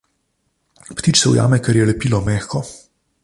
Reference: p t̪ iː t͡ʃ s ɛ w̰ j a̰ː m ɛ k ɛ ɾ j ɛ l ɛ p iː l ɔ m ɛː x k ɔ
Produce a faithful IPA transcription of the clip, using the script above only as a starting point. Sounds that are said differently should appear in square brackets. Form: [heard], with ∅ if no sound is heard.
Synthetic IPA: p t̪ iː t͡ʃ s ɛ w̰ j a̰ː m ɛ k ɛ ɾ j ɛ l ɛ p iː l ɔ m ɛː x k ɔ